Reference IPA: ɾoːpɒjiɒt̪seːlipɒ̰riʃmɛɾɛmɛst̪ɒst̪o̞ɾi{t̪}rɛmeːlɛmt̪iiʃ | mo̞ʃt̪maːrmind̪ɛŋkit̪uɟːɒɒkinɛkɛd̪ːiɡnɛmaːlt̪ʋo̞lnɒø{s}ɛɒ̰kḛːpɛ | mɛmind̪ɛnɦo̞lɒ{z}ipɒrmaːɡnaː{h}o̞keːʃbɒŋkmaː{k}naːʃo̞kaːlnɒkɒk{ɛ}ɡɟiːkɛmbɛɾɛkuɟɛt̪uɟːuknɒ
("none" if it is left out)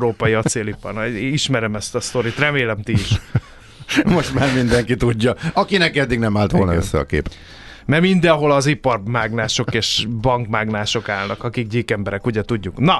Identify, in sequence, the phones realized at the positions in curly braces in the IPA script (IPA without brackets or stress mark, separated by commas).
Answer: t̪, sː, z, ʃ, ɡ, i